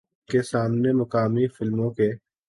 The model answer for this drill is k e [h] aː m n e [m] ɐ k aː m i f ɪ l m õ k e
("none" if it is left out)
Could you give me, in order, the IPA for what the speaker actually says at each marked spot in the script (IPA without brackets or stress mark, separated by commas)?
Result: s, m